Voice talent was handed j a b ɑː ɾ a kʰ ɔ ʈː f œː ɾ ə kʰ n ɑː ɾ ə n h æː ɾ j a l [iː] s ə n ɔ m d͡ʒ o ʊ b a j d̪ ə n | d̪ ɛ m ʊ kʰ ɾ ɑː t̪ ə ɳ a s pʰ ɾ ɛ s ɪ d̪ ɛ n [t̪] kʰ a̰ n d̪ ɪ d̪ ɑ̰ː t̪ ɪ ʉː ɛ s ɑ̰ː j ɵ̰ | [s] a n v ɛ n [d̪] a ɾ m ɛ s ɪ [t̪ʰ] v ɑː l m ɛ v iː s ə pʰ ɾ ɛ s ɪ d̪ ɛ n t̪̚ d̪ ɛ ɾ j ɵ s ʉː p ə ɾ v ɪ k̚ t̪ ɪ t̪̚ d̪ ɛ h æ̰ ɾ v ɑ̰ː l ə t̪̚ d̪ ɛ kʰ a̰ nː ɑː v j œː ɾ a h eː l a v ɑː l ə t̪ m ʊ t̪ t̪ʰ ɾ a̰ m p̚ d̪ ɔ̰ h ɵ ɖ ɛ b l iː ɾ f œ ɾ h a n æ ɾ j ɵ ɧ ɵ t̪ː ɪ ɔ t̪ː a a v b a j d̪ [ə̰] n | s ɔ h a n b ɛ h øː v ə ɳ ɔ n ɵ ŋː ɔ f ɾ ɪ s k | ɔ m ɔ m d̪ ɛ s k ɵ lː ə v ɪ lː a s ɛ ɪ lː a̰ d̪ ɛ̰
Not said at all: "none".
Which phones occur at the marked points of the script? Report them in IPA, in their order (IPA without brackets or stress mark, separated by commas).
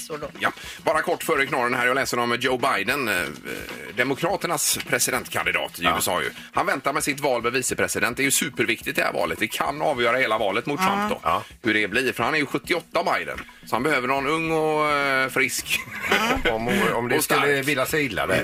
ɛː, t̪, h, t̪, t̪, ə̰